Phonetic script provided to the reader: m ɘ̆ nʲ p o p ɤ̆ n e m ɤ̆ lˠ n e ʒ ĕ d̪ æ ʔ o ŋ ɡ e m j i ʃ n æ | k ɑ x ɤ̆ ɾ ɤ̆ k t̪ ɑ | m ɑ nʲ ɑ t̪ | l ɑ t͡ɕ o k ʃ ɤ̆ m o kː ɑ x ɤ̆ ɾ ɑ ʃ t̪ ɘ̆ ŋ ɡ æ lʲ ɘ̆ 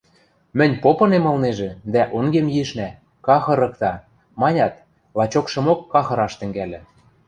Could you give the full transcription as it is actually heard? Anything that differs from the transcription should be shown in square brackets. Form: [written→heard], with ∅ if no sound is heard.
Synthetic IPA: m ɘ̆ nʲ p o p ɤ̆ n e m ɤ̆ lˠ n e ʒ ĕ d̪ æ ʔ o ŋ ɡ e m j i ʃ n æ | k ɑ x ɤ̆ ɾ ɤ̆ k t̪ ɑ | m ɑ nʲ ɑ t̪ | l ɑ t͡ɕ o k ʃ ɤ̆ m o kː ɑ x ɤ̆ ɾ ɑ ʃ t̪ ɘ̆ ŋ ɡ æ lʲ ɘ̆